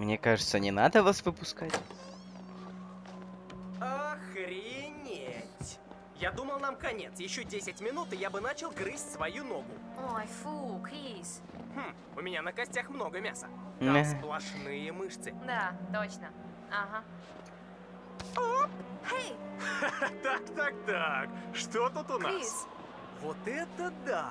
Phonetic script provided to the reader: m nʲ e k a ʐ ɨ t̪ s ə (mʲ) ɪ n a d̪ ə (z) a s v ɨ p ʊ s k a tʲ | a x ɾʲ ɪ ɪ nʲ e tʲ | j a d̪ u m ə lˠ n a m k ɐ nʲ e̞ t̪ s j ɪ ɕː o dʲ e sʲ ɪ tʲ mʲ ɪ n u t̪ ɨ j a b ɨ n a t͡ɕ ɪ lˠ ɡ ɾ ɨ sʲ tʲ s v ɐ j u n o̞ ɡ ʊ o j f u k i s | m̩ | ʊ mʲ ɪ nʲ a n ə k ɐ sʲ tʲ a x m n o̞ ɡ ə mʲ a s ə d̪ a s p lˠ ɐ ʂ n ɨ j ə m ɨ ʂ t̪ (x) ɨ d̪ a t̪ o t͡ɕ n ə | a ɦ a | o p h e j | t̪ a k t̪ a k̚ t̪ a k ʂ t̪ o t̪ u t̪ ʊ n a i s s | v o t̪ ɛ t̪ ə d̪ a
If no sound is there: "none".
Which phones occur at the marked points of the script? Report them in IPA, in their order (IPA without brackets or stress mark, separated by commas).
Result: nʲ, v, s